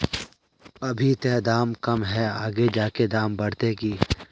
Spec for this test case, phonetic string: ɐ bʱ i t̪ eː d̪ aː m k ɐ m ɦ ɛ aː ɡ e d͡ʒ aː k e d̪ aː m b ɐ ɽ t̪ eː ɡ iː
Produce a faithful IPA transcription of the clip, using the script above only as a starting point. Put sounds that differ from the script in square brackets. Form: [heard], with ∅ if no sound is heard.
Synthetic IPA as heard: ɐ bʱ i t̪ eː d̪ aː m k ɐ m ɦ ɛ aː ɡ e d͡ʒ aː k e d̪ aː m b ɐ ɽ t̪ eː ɡ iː